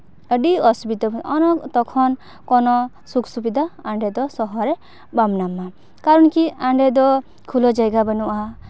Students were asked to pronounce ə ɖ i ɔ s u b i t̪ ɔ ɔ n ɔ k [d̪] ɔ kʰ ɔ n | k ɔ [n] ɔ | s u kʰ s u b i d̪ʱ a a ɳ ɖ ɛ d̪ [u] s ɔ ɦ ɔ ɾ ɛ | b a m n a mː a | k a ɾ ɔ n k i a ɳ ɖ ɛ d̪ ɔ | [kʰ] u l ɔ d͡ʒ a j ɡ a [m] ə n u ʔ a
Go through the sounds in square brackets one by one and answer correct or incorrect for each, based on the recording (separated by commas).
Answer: incorrect, correct, incorrect, correct, incorrect